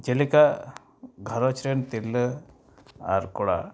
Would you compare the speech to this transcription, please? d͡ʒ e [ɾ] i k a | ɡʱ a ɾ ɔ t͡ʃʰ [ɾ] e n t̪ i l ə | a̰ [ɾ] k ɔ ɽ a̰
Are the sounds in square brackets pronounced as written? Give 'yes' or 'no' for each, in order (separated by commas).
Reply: no, yes, yes